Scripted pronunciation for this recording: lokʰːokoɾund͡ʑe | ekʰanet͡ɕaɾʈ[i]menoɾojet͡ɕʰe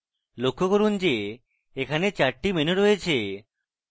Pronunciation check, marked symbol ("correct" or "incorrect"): correct